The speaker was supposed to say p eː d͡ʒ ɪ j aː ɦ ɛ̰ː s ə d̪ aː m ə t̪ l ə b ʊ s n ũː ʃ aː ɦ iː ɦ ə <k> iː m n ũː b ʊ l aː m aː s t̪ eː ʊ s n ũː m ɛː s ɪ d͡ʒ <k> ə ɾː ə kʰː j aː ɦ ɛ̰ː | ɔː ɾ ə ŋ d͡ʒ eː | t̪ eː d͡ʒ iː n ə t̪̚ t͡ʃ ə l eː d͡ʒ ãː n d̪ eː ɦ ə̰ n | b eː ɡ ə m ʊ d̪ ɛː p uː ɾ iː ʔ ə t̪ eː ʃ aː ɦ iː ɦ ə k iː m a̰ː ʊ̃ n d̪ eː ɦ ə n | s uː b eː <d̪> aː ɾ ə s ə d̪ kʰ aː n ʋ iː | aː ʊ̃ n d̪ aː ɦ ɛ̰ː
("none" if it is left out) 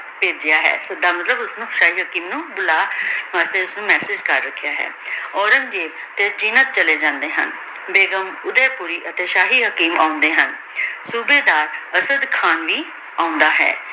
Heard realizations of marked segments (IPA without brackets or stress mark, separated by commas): k, k, d̪